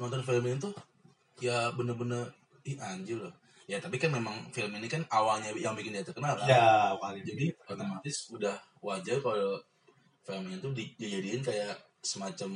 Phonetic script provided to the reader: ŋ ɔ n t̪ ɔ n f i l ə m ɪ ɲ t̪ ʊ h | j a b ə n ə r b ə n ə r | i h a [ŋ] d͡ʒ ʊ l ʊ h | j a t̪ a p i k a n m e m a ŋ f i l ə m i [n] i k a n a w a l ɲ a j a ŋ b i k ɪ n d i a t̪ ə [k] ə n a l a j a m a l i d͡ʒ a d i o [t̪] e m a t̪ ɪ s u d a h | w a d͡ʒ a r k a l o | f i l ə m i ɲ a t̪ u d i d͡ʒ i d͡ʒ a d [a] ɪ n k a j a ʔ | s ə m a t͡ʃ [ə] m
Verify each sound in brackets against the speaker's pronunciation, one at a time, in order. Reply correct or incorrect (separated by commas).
incorrect, correct, correct, correct, incorrect, incorrect